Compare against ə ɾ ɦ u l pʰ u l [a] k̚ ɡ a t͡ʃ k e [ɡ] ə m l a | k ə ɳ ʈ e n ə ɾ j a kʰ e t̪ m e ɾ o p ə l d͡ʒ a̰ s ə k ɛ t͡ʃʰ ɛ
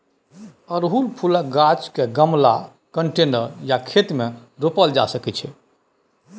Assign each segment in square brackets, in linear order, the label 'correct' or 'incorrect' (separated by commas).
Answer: incorrect, correct